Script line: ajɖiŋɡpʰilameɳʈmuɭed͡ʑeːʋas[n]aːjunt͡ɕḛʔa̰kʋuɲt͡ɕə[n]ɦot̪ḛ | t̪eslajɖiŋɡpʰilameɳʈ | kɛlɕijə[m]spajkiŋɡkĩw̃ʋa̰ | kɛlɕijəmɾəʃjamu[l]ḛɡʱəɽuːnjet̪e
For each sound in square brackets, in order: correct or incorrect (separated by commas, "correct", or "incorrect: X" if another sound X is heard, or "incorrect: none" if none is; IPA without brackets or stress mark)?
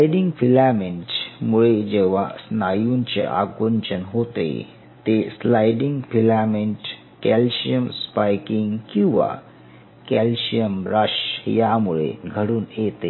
correct, correct, correct, incorrect: ɭ